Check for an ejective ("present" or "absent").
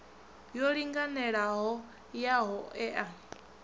absent